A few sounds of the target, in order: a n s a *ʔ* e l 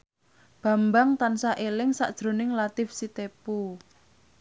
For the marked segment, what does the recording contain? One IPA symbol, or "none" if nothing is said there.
ʔ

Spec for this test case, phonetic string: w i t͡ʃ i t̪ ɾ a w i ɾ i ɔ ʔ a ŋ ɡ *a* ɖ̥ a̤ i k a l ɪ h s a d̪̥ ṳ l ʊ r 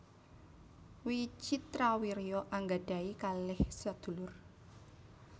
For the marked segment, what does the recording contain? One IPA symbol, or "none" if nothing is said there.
a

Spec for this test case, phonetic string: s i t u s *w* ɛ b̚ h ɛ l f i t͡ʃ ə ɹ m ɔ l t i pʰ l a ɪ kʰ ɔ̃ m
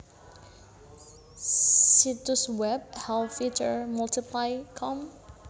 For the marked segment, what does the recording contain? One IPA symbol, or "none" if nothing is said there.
w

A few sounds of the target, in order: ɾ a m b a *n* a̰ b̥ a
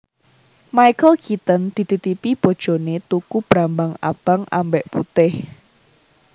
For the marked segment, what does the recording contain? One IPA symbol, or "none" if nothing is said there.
ŋ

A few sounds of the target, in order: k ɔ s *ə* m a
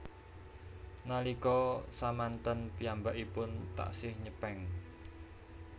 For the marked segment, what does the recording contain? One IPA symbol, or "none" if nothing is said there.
a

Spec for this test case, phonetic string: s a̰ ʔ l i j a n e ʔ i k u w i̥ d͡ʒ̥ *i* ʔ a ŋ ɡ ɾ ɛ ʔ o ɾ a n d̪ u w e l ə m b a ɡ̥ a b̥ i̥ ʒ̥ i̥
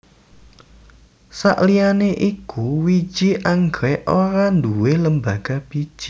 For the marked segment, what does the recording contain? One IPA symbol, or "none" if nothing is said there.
i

